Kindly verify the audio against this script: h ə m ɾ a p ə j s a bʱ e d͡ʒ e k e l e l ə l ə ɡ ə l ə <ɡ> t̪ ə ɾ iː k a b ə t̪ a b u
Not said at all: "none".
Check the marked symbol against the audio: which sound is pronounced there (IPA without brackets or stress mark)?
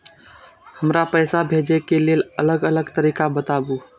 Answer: ɡ